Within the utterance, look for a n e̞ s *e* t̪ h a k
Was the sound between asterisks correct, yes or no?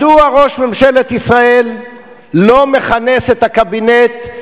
yes